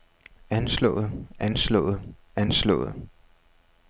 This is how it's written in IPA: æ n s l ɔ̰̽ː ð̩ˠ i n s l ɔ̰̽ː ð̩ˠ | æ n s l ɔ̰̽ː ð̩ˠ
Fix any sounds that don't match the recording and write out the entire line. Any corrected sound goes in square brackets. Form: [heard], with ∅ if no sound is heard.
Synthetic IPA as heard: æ n s l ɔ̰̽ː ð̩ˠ [æ] n s l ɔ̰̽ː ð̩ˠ | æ n s l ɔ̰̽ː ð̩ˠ